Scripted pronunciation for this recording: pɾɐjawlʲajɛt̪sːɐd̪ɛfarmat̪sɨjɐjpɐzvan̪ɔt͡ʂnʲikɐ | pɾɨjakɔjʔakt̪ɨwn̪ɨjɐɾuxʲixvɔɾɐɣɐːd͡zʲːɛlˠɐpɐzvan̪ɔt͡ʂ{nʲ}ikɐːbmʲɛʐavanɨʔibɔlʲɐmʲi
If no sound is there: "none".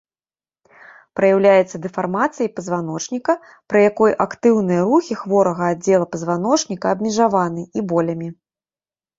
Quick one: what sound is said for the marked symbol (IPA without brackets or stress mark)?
nʲ